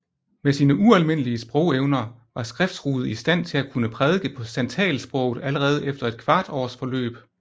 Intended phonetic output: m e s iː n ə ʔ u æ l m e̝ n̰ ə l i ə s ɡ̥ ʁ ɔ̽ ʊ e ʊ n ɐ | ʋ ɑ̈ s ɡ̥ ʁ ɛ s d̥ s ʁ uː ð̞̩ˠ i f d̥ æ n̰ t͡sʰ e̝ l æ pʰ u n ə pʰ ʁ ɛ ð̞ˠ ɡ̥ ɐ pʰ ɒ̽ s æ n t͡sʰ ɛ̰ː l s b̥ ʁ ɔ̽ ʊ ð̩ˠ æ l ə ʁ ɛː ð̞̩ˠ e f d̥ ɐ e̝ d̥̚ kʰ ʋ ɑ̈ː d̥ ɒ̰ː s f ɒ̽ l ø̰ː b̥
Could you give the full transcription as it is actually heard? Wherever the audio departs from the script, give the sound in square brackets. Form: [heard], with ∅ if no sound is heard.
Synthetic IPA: m e s iː n ə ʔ u æ l m e̝ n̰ ə l i ə s [b̥] ʁ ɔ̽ ʊ e ʊ n ɐ | ʋ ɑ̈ s ɡ̥ ʁ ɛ [f] d̥ s ʁ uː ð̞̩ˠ i [s] d̥ æ n̰ t͡sʰ e̝ l æ [kʰ] u n ə pʰ ʁ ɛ ð̞ˠ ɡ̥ [ə] pʰ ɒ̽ s æ n t͡sʰ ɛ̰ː l s b̥ ʁ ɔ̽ ʊ ð̩ˠ æ l ə ʁ ɛː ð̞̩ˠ e f d̥ ɐ e̝ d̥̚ kʰ ʋ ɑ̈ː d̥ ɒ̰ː s f ɒ̽ l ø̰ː b̥